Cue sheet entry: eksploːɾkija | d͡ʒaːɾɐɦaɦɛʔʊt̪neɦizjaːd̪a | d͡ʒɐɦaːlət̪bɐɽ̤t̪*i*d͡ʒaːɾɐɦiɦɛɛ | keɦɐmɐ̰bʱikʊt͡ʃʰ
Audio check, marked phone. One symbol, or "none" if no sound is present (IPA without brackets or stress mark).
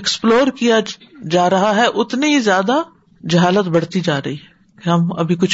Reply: i